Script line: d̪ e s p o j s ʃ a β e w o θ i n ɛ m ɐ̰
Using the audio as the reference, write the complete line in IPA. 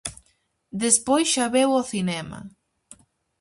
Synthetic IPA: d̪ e s p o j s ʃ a β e w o θ i n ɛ m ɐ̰